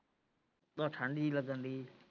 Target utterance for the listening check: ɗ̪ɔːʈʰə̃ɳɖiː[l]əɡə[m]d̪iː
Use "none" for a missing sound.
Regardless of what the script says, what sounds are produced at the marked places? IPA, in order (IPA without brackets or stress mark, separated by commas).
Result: l, n